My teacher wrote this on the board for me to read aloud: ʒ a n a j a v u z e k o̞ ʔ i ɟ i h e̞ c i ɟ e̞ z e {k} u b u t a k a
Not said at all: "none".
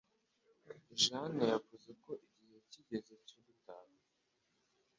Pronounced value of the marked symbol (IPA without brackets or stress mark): c